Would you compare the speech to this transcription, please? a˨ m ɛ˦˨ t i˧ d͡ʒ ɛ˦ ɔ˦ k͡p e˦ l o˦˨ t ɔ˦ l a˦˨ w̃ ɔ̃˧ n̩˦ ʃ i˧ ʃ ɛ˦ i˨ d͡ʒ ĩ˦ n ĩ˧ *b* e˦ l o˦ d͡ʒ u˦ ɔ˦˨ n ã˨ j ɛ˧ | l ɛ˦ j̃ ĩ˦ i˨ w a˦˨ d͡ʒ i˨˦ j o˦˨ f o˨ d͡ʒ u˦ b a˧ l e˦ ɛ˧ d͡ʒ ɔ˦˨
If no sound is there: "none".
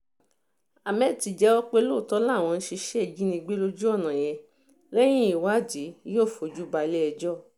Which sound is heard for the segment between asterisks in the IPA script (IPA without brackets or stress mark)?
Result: ɡ͡b